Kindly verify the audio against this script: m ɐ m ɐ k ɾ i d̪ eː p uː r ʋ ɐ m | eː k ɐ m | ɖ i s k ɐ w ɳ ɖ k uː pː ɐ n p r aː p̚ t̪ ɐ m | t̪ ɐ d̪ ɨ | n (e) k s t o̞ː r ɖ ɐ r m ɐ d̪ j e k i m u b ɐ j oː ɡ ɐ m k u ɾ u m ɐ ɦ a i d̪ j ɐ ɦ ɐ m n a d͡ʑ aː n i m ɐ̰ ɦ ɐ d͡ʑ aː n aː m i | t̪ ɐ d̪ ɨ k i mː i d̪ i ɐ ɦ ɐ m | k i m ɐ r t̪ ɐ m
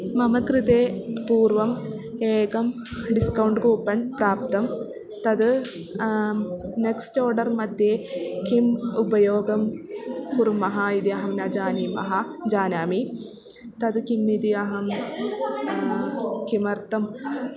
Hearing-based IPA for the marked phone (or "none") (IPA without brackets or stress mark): e